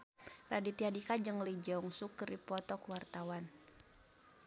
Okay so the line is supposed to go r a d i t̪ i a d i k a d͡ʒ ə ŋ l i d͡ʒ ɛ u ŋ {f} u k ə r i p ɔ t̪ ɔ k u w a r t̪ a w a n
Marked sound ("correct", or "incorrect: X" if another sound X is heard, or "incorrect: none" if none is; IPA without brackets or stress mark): incorrect: s